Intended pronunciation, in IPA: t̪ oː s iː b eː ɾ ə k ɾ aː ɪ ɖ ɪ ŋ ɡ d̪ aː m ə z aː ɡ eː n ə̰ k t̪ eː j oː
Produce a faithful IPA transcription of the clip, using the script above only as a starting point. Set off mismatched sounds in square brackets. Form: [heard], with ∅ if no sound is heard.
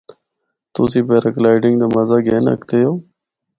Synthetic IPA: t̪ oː s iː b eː ɾ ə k [l] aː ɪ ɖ ɪ ŋ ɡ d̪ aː m ə z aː ɡ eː n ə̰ k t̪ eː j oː